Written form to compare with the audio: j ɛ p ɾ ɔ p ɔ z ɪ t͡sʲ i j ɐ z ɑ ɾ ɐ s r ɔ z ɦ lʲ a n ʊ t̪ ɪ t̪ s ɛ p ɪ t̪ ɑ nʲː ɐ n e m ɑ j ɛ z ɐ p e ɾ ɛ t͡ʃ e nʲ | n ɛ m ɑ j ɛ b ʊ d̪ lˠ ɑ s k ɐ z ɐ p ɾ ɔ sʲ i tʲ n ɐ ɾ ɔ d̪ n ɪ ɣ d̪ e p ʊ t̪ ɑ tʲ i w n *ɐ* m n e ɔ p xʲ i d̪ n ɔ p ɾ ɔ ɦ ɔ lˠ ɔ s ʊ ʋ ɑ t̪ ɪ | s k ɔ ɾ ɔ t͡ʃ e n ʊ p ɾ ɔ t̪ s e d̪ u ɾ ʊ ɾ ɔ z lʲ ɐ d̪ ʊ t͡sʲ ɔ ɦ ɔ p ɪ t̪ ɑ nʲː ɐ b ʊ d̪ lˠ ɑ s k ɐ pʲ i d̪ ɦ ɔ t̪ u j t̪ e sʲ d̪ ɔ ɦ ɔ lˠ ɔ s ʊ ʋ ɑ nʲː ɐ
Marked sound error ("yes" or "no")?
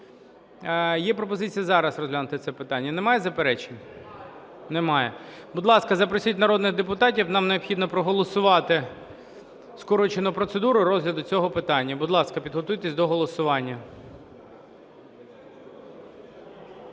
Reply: yes